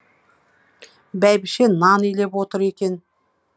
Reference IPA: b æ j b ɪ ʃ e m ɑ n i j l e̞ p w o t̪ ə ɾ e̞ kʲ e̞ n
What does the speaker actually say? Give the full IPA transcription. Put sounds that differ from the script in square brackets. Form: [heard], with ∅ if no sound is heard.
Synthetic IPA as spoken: b æ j b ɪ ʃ e [n] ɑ n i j l e̞ p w o t̪ ə ɾ e̞ kʲ e̞ n